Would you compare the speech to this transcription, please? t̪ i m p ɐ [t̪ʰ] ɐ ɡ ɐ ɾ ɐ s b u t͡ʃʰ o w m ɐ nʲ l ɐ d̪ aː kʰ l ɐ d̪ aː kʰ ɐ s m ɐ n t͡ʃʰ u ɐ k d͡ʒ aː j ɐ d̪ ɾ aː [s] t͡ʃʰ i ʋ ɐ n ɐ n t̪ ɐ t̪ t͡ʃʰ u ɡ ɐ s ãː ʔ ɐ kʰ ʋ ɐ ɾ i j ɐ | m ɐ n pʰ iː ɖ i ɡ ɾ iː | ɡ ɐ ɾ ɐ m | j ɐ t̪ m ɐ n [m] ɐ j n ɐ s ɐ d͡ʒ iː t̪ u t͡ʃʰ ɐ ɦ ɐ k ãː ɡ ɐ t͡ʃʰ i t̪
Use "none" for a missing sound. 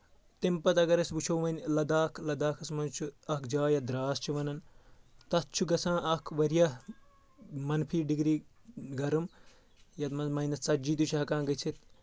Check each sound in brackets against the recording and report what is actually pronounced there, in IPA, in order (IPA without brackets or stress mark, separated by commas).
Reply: t̪, s, m